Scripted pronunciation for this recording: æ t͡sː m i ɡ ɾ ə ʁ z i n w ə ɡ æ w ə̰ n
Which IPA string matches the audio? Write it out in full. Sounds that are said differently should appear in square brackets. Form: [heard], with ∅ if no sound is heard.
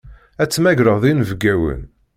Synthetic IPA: æ t͡sː m [æ] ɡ ɾ ə ʁ [ð] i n [v] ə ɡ æ w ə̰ n